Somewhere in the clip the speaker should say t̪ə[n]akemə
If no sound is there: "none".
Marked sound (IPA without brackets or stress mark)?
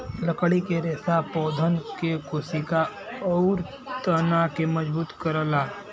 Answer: n